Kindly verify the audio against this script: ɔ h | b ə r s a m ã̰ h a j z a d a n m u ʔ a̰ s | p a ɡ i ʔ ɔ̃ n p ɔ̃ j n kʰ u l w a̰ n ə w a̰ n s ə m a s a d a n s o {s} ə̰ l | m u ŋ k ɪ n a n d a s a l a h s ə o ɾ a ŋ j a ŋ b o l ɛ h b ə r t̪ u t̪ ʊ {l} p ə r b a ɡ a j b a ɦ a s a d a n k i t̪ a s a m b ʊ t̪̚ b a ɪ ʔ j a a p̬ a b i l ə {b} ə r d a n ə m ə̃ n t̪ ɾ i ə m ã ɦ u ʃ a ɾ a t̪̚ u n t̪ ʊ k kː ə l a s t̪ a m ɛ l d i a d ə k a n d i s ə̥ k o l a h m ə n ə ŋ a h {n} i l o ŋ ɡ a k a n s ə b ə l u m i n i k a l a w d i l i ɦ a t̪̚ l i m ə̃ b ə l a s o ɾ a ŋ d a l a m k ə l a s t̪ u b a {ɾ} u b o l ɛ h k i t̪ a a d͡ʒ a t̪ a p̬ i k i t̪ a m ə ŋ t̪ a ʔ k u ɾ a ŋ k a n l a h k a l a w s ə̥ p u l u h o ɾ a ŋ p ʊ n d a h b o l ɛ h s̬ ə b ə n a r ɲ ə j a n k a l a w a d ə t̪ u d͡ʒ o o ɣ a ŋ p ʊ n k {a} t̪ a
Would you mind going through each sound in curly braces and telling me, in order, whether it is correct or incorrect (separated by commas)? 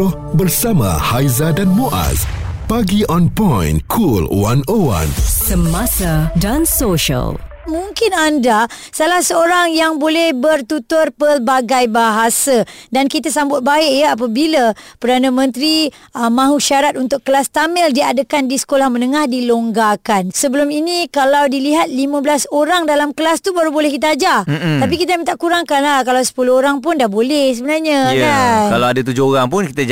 incorrect, incorrect, incorrect, incorrect, correct, incorrect